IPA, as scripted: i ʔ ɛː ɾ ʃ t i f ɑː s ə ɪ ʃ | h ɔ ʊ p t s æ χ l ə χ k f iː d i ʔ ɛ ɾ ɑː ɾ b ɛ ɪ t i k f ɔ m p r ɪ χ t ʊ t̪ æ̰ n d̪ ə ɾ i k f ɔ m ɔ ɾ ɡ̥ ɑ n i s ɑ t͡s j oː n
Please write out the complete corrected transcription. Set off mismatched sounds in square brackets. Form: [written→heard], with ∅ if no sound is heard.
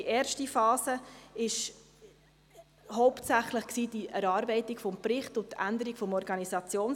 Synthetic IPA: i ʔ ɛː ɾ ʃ t i f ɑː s ə ɪ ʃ | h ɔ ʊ p t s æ χ l ə χ k [f→s] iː d i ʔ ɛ ɾ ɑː ɾ b ɛ ɪ t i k f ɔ m p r ɪ χ t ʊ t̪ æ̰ n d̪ ə ɾ i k f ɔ m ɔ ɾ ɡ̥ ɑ n i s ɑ t͡s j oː n